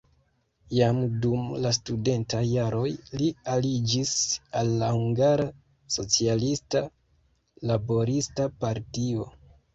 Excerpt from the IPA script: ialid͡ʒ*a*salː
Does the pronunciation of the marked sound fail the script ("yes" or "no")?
yes